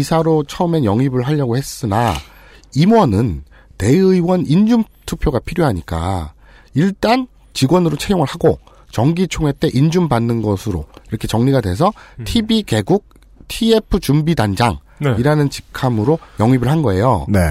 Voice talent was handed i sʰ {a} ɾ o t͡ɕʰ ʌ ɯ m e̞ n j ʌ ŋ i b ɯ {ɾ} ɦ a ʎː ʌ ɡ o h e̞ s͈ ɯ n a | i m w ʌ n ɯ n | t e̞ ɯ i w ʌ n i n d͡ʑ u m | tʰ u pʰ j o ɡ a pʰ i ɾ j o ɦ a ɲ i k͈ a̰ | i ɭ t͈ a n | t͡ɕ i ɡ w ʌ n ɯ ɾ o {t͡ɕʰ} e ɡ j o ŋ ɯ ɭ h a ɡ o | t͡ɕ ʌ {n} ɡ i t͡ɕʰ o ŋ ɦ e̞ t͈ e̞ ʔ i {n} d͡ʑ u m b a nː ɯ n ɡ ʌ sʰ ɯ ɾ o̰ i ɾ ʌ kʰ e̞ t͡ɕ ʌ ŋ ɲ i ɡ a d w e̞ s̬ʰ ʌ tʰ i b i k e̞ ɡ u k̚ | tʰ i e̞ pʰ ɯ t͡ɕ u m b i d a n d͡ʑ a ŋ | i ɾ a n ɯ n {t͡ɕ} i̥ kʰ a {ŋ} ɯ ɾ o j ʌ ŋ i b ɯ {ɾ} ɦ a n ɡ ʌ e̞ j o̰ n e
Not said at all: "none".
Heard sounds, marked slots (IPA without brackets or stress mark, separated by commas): a, ɭ, t͡ɕʰ, ŋ, n, t͡ɕ, m, ɭ